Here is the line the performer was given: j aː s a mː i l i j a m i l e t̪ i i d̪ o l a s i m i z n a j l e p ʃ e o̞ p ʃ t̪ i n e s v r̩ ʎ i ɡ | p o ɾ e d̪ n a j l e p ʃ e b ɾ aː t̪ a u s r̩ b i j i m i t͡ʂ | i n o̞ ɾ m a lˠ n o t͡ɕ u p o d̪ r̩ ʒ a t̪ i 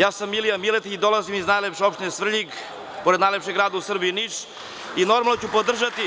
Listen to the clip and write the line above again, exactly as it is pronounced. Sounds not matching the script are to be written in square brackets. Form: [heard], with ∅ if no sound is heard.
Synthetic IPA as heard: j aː s a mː i l i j a m i l e t̪ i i d̪ o l a [z] i m i z n a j l e p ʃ e o̞ p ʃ t̪ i n e s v r̩ ʎ i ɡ | p o ɾ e d̪ n a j l e p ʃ e [ɡ] ɾ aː [d̪] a u s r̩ b i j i [n] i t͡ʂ | i n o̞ ɾ m a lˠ n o t͡ɕ u p o d̪ r̩ ʒ a t̪ i